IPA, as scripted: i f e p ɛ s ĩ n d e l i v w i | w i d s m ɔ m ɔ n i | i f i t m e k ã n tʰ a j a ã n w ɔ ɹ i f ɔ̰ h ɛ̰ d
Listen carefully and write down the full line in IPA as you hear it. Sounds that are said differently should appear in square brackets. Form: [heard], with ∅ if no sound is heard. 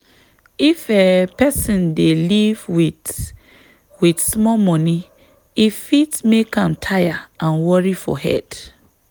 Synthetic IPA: i f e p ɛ s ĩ n d e l i v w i | w i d s m ɔ m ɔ n i | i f i t m e k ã [m] tʰ a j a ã n w ɔ ɹ i f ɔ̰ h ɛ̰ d